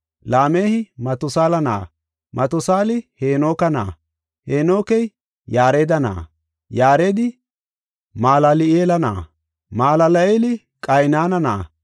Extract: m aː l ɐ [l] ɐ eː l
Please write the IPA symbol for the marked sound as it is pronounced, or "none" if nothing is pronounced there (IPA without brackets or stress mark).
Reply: l